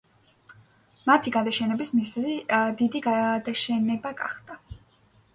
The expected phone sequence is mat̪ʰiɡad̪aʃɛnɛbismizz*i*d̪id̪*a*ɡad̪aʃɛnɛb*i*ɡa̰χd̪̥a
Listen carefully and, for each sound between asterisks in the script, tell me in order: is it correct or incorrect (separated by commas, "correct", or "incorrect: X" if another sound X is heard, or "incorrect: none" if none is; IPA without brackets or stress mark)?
correct, incorrect: i, incorrect: a